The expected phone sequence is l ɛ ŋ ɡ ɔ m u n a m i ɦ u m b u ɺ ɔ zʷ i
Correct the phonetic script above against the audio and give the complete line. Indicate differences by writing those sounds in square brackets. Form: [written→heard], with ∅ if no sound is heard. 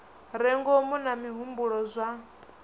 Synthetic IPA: [l→ɾ] ɛ ŋ ɡ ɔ m u n a m i ɦ u m b u ɺ ɔ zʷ [i→a]